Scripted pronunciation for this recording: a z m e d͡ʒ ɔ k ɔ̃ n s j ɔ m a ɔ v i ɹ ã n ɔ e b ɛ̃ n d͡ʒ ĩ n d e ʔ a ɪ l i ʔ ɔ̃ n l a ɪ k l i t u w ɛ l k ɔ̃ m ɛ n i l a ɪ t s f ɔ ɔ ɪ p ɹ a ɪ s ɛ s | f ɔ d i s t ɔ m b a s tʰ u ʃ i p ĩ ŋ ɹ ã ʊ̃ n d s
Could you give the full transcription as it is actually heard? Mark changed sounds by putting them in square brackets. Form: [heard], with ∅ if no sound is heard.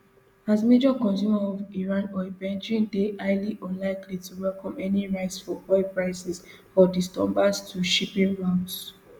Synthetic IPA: a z m e d͡ʒ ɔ k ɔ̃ n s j [u] m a ɔ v i ɹ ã n ɔ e b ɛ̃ n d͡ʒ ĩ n d e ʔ a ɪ l i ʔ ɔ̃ n l a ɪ k l i t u w ɛ l k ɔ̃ m ɛ n i [ɹ] a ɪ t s f ɔ ɔ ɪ p ɹ a ɪ s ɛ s | f ɔ d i s t ɔ m b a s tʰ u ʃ i p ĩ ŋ ɹ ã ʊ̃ n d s